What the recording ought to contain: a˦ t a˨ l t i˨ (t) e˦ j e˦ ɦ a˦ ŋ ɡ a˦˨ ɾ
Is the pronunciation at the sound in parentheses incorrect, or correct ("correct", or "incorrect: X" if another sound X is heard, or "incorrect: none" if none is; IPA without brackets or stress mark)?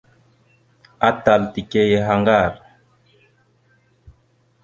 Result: incorrect: k